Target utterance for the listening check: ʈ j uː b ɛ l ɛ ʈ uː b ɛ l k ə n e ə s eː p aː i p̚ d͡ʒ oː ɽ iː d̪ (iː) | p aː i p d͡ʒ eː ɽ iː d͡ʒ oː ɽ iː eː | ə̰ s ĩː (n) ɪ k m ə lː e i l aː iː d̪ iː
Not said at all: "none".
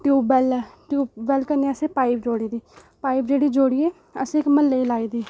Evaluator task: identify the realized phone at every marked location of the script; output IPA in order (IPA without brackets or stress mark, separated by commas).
iː, none